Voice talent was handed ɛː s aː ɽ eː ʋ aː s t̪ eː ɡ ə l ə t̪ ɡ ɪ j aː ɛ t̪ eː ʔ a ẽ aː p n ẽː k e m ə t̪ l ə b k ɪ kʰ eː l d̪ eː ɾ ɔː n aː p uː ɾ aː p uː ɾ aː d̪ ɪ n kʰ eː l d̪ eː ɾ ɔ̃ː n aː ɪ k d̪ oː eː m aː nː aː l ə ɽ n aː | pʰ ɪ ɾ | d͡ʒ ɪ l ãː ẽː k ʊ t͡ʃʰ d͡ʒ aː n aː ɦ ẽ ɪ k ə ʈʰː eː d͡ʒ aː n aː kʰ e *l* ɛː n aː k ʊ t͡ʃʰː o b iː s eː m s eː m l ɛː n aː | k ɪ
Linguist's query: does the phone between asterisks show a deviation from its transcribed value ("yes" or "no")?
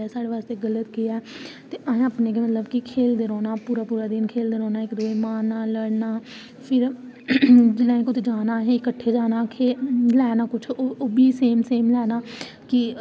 no